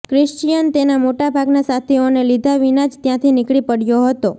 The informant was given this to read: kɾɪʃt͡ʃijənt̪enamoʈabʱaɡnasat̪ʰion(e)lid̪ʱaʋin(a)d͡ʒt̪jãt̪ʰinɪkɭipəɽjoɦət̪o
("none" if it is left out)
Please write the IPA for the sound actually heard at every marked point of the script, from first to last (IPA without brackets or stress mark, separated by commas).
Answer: e, a